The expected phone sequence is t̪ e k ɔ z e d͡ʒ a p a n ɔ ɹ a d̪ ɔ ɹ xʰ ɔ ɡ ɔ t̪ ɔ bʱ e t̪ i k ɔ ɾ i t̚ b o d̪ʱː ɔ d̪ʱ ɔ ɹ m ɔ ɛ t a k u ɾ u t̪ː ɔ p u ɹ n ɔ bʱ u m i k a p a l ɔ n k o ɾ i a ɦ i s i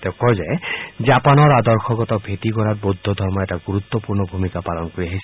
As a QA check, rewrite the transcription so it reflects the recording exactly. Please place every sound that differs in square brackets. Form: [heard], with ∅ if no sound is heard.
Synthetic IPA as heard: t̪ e k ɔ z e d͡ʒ a p a n ɔ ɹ a d̪ ɔ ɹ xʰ ɔ ɡ ɔ t̪ ɔ bʱ e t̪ i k ɔ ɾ [a] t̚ b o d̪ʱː ɔ d̪ʱ ɔ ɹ m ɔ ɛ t a [ɡ] u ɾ u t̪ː ɔ p u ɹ n ɔ bʱ u m i k a p a l ɔ n k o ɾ i a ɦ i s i